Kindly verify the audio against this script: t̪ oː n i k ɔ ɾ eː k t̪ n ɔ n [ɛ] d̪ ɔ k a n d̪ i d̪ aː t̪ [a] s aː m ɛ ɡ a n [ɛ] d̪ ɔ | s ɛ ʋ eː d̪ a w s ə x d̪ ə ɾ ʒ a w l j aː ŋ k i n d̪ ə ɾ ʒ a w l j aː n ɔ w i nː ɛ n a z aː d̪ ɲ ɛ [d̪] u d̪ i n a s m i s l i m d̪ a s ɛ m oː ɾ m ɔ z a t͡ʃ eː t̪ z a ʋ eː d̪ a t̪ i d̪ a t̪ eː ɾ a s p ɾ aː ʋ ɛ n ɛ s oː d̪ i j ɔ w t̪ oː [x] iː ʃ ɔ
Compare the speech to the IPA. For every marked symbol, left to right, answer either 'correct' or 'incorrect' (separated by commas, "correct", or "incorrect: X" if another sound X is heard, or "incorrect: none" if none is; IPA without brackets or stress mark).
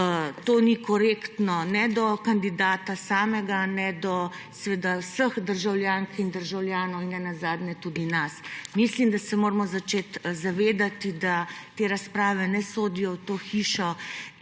correct, correct, correct, incorrect: t̪, correct